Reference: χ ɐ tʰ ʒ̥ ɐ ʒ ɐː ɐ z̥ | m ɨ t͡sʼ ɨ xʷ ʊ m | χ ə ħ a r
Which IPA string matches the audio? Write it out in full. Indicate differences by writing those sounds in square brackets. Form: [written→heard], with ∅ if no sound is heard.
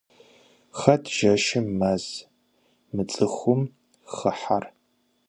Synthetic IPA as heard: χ ɐ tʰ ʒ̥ ɐ [ʒ→ʃ] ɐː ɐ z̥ | m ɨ t͡sʼ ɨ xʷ ʊ m | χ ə ħ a r